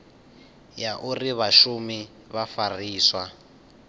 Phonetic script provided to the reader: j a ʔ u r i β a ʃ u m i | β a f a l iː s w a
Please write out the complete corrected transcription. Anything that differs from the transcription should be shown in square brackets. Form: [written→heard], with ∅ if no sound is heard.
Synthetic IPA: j a ʔ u r i β a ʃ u m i | β a f a [l→r] iː s w a